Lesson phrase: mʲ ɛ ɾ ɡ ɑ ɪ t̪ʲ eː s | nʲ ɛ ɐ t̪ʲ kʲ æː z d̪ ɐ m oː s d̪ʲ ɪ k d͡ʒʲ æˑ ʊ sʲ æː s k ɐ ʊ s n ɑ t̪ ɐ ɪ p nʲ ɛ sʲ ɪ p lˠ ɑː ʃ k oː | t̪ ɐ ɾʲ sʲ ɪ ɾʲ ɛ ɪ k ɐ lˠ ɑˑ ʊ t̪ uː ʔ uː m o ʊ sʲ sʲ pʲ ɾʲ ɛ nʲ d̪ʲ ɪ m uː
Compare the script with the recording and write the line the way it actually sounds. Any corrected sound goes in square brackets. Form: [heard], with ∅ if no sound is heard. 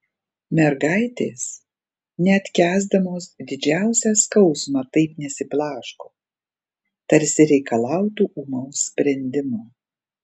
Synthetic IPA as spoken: mʲ ɛ ɾ ɡ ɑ ɪ t̪ʲ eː s | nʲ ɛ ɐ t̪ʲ kʲ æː z d̪ ɐ m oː s d̪ʲ ɪ [∅] d͡ʒʲ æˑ ʊ sʲ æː s k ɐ ʊ s [m] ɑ t̪ ɐ ɪ p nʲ ɛ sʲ ɪ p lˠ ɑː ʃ k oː | t̪ ɐ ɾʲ sʲ ɪ ɾʲ ɛ ɪ k ɐ lˠ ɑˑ ʊ t̪ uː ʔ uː m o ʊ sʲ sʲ pʲ ɾʲ ɛ nʲ d̪ʲ ɪ m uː